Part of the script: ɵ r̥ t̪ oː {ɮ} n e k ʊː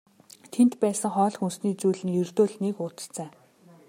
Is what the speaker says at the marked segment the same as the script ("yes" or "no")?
yes